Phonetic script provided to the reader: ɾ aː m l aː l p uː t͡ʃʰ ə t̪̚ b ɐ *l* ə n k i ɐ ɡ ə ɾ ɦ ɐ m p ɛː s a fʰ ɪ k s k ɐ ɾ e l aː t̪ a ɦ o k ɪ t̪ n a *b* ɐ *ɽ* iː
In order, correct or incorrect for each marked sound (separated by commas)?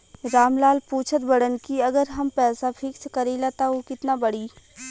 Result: incorrect, correct, correct